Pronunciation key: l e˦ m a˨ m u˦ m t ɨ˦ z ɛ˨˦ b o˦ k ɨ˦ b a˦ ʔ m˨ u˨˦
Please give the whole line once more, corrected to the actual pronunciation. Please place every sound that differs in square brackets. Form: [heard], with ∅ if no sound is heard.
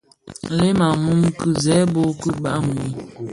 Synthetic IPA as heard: l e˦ m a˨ m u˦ m [k] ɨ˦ z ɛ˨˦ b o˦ k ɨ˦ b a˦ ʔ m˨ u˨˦